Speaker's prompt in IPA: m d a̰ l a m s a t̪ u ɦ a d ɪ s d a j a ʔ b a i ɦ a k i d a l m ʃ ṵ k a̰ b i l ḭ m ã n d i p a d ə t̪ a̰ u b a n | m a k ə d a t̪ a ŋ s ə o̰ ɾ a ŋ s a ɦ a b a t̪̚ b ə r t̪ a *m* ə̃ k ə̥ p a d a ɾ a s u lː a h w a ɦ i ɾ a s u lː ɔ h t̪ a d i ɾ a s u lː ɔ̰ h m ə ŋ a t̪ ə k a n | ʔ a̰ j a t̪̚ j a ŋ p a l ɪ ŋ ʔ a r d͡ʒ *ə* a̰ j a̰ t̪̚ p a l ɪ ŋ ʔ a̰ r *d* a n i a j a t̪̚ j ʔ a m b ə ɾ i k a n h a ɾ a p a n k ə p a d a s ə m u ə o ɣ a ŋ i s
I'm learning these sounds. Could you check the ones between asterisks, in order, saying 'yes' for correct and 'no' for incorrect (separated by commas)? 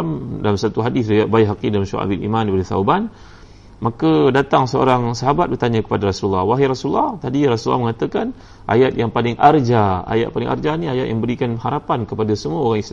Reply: no, no, no